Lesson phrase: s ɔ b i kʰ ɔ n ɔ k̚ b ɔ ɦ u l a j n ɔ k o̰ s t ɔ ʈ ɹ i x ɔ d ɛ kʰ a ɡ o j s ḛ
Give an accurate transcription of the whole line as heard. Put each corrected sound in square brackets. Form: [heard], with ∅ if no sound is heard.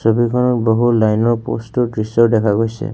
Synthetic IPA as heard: s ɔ b i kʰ ɔ n ɔ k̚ b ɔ ɦ u l a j n ɔ [p] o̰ s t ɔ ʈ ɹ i [s] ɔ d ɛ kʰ a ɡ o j s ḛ

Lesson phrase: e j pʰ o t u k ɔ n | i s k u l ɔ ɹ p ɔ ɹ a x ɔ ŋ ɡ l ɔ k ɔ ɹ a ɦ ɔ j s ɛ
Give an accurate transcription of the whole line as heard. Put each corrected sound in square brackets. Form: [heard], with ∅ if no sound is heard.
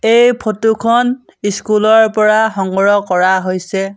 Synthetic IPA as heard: e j pʰ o t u [kʰ] ɔ n | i s k u l ɔ ɹ p ɔ ɹ a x ɔ ŋ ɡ [ɹ] ɔ k ɔ ɹ a ɦ [o] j s ɛ

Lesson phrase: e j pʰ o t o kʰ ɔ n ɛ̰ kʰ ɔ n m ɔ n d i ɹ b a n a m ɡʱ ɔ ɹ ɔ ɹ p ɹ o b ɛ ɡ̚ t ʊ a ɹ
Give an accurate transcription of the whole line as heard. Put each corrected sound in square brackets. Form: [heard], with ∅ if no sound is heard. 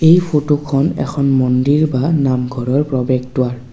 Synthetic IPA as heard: e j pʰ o t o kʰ ɔ n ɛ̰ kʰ ɔ n m ɔ n d i ɹ b a n a m ɡʱ ɔ ɹ ɔ ɹ p ɹ [ɔ] b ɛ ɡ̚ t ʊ a ɹ

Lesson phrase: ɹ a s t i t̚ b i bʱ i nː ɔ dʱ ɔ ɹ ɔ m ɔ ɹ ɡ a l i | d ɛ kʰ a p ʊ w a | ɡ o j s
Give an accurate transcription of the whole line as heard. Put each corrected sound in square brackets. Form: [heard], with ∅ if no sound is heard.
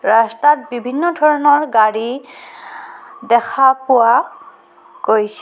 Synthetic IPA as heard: ɹ a s t [a] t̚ b i bʱ i nː ɔ dʱ ɔ ɹ ɔ [n] ɔ ɹ ɡ a [ɹ] i | d ɛ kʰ a p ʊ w a | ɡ o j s

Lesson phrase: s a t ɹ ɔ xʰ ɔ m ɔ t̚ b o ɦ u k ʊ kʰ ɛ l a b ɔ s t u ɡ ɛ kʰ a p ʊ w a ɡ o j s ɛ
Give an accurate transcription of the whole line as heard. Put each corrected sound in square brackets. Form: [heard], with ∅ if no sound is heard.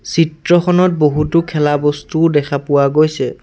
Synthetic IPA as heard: s [i] t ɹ ɔ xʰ ɔ [n] ɔ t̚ b o ɦ u [t] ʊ kʰ ɛ l a b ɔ s t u [d] ɛ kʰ a p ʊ w a ɡ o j s ɛ

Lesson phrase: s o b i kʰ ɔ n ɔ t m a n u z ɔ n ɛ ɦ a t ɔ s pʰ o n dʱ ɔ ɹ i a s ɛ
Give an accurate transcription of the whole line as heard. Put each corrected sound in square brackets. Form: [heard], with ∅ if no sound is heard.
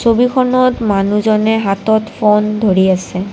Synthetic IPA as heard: s o b i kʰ ɔ n ɔ t m a n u z ɔ n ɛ ɦ a t ɔ [t] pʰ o n dʱ [o] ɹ i a s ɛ

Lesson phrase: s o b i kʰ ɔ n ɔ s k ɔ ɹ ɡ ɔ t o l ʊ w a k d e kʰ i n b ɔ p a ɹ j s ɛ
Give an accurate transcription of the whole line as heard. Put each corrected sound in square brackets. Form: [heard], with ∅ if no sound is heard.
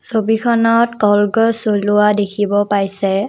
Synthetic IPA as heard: s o b i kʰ ɔ n ɔ [t] k ɔ [l] ɡ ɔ [s] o l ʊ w a [∅] d e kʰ i [∅] b ɔ p a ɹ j s ɛ

